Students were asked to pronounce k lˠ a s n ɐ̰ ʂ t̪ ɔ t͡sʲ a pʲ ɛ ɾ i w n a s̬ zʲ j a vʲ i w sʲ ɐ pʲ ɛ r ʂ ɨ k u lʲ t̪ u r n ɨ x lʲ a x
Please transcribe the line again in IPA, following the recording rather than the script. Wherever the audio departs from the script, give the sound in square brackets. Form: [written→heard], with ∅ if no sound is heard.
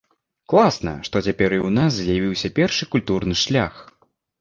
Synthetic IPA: k lˠ a s n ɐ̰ ʂ t̪ ɔ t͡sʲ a pʲ ɛ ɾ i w n a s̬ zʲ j a vʲ i w sʲ ɐ pʲ ɛ r ʂ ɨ k u lʲ t̪ u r n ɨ [x→ʂ] lʲ a x